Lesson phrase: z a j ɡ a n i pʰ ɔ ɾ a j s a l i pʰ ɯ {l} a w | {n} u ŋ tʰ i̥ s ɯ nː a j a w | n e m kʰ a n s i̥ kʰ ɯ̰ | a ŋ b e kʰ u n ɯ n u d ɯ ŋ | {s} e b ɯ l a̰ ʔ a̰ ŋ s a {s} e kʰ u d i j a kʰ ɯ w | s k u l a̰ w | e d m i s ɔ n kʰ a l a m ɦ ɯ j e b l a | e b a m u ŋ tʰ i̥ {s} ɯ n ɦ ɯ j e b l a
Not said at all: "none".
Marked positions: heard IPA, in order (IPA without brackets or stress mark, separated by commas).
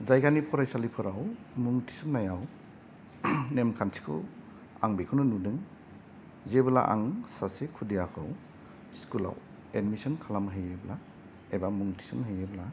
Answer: ɾ, m, z, s, s